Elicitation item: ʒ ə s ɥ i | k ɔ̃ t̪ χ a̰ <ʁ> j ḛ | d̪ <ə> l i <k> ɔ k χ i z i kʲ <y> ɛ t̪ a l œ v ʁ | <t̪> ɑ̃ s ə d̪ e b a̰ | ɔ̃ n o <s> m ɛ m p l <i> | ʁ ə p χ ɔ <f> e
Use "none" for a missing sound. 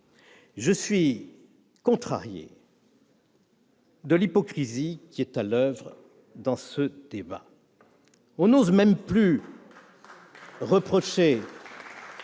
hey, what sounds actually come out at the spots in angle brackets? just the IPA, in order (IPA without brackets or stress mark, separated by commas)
ʁ, ə, p, i, d̪, z, y, ʃ